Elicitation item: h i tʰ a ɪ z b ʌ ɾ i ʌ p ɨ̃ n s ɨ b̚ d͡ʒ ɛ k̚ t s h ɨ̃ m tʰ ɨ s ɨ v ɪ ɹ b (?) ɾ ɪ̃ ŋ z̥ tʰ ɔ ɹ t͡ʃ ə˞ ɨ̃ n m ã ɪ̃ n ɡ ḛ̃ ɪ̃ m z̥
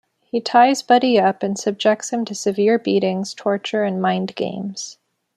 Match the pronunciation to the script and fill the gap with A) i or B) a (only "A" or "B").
A